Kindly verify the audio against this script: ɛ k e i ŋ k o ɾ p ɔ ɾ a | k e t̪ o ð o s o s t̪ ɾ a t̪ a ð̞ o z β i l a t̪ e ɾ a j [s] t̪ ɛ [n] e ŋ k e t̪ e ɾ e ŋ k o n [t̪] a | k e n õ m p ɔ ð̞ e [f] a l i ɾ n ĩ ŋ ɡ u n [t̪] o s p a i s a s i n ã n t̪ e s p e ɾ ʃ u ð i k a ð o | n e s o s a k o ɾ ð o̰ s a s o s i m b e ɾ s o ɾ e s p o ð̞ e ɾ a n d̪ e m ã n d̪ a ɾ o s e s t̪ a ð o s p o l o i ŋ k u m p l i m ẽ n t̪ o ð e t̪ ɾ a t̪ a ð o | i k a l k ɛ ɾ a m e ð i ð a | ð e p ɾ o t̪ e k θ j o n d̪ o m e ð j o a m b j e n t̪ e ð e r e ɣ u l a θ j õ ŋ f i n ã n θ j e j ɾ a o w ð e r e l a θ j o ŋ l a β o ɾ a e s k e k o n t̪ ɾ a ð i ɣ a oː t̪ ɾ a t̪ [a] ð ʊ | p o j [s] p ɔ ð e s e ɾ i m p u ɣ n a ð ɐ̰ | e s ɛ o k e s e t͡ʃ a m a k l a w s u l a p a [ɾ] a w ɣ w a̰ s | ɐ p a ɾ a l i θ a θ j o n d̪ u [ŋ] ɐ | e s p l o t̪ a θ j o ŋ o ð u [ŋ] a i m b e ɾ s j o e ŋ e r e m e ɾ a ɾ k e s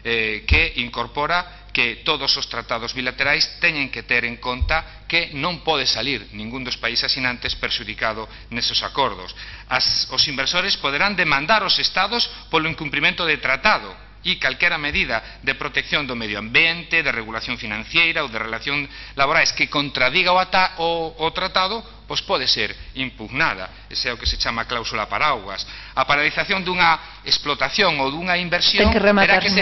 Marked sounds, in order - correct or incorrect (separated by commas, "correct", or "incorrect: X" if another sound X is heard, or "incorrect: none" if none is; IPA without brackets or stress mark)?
correct, incorrect: ɲ, correct, incorrect: s, incorrect: d̪, correct, correct, correct, correct, correct